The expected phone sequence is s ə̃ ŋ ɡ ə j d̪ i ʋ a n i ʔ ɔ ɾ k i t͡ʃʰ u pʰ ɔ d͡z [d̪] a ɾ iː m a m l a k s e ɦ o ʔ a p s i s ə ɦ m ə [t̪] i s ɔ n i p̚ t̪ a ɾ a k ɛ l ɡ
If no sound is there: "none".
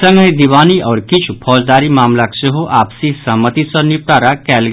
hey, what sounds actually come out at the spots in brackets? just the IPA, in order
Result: d̪, t̪

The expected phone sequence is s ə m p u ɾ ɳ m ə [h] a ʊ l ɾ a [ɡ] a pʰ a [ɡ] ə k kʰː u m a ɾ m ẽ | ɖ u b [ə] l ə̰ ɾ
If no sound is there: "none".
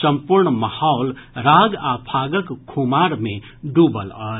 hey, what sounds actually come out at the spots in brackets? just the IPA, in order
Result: h, ɡ, ɡ, ə

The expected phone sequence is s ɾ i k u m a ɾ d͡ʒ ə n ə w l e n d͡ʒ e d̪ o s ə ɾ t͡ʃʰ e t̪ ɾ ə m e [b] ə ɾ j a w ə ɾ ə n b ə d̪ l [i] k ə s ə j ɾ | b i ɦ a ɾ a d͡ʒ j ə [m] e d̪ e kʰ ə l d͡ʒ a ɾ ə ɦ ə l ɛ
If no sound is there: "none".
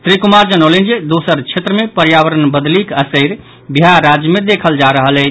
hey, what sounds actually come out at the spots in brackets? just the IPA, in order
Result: p, i, m

